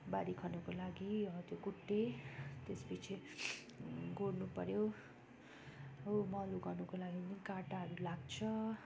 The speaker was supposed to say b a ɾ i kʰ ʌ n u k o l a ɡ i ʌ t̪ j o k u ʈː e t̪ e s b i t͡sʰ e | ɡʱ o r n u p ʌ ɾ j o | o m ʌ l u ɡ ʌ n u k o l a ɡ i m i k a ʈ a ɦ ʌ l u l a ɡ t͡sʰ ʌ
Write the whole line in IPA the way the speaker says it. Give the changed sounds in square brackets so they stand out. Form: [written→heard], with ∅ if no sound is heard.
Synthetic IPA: b a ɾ i kʰ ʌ n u k o l a ɡ i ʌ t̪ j o k u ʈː e t̪ e s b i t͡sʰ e | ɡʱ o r n u p ʌ ɾ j o | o m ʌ l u ɡ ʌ n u k o l a ɡ i [m→n] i k a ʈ a ɦ ʌ [l→ɾ] u l a ɡ t͡sʰ ʌ